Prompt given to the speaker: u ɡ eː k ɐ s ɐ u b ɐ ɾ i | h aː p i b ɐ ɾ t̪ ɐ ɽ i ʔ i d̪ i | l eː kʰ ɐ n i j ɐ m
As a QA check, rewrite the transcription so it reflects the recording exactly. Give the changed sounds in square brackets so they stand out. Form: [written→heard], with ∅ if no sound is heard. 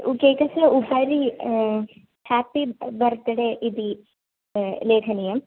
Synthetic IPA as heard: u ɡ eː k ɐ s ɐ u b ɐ ɾ i | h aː p i b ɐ ɾ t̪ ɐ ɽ [i→e] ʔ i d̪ i | l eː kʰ ɐ n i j ɐ m